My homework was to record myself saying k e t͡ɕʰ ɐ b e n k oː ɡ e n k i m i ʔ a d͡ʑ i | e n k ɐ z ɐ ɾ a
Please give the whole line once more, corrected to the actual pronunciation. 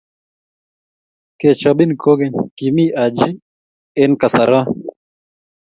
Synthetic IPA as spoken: k e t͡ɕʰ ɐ b i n k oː ɡ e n k i m i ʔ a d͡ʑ i | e n k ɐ s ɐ ɾ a